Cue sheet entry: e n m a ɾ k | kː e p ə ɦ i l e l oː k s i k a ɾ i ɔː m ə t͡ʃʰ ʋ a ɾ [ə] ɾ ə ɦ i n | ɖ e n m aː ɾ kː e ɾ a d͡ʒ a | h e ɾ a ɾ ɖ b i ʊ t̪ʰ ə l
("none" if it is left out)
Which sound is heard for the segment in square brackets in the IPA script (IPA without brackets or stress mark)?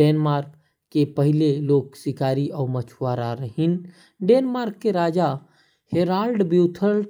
a